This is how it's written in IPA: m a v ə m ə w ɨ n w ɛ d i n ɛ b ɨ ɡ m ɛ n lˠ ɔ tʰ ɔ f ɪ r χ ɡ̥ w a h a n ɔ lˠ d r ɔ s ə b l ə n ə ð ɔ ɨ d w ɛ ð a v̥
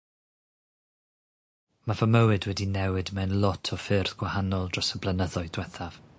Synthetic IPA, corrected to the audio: m a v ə m ə w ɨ d w ɛ d i n ɛ w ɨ d m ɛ n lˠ ɔ tʰ ɔ f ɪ r θ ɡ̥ w a h a n ɔ lˠ d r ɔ s ə b l ə n ə ð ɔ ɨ d w ɛ θ a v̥